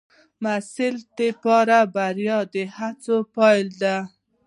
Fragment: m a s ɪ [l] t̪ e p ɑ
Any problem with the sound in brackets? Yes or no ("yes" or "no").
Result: no